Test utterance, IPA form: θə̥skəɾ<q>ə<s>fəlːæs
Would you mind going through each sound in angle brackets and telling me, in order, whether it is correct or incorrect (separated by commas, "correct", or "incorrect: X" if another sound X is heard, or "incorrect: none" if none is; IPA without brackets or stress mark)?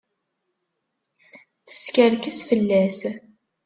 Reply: incorrect: k, correct